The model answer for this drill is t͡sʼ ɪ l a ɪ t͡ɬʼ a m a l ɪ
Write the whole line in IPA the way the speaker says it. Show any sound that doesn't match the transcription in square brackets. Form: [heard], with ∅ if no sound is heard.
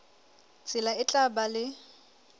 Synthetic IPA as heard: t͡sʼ ɪ l a ɪ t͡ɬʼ a [b] a l ɪ

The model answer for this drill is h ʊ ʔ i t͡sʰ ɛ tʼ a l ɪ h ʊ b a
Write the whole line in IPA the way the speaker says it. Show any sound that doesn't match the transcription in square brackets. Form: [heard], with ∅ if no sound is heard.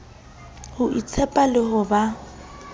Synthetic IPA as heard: h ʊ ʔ i t͡sʰ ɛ [pʼ] a l ɪ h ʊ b a

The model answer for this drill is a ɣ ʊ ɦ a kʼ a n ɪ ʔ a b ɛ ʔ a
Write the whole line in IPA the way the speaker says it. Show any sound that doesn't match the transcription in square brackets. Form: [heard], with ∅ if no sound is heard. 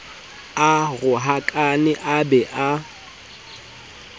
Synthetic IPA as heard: a ɣ ʊ ɦ a kʼ a n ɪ ʔ a b ɛ ʔ a

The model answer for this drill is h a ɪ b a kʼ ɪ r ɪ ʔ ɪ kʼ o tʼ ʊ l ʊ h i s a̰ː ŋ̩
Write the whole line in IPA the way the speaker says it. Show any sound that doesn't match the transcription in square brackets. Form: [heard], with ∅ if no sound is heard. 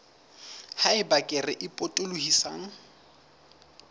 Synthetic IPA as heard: h a ɪ b a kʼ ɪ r ɪ ʔ ɪ [pʼ] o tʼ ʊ l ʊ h i s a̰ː ŋ̩

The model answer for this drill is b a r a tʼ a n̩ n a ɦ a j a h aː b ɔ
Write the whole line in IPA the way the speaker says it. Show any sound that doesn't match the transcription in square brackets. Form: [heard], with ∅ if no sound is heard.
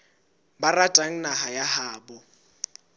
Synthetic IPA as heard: b a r a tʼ a [ŋ̩] n a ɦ a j a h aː b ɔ

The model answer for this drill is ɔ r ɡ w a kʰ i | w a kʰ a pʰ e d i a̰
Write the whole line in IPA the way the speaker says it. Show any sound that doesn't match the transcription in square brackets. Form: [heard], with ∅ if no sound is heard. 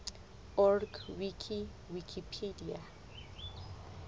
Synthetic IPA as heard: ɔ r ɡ w [i] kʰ i | w [i] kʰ [i] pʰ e d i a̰

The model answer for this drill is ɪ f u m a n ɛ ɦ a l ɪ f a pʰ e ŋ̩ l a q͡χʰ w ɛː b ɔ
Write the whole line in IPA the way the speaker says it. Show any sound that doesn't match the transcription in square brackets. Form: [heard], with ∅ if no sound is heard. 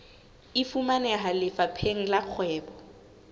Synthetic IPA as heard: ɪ f u m a n ɛ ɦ a l ɪ f a pʰ e ŋ̩ l a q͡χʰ w ɛː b ɔ

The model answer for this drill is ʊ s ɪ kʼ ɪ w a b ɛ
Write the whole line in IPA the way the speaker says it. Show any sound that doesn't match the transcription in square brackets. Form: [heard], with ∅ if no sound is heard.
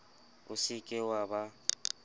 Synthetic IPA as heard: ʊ s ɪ kʼ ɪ w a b [a]

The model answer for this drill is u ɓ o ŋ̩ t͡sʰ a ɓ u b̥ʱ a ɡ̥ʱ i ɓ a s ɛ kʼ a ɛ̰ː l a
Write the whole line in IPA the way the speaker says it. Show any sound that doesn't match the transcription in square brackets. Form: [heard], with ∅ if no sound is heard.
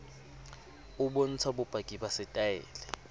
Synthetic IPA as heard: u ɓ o [n̩] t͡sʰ a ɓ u b̥ʱ a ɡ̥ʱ i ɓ a s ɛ [tʼ] a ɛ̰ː l [ɛ]

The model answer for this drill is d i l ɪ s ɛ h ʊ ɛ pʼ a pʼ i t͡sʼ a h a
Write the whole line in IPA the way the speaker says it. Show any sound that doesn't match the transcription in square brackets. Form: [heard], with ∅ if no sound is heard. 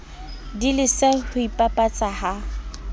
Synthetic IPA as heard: d i l ɪ s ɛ h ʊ [i] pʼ a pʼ [a] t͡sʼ a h a

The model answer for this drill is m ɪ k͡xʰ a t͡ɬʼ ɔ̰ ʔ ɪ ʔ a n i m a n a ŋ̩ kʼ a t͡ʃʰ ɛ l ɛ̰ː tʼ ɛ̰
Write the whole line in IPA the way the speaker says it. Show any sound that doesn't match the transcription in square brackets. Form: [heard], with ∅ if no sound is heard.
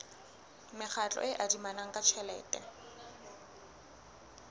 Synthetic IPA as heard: m ɪ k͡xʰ a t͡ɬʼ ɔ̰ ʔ ɪ ʔ a [d] i m a n a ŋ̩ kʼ a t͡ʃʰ ɛ l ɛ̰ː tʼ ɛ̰

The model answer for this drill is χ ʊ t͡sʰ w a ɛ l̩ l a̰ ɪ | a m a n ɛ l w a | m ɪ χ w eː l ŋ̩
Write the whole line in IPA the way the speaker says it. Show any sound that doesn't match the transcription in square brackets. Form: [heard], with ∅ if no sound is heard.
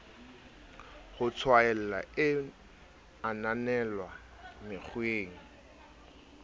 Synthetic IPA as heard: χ ʊ t͡sʰ w a ɛ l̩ l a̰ ɪ | a [n] a n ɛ l w a | m ɪ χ w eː [∅] ŋ̩

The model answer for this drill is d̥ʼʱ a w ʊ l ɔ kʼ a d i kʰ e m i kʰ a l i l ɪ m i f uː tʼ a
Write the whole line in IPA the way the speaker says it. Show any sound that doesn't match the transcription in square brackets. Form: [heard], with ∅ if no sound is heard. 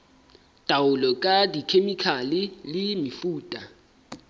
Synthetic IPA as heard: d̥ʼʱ a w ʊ l ɔ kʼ a d i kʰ e m i kʰ a l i l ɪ m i f uː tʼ a

